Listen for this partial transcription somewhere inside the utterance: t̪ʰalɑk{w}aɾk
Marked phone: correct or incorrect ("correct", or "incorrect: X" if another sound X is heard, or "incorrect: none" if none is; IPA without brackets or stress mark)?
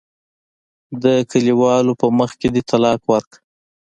correct